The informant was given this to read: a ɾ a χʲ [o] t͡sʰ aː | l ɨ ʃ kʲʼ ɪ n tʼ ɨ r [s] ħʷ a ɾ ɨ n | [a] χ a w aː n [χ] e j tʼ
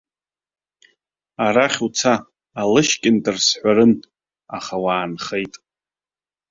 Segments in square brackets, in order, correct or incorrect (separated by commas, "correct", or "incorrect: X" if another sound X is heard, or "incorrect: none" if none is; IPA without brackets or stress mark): incorrect: u, correct, correct, correct